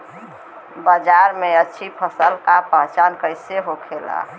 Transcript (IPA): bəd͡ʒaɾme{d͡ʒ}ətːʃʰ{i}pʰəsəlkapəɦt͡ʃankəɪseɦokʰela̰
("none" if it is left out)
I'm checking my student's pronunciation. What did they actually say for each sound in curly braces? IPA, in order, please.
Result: none, i

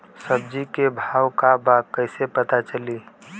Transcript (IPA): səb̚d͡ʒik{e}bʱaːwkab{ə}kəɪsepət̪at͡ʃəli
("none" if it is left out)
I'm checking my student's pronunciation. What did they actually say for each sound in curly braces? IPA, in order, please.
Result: e, a

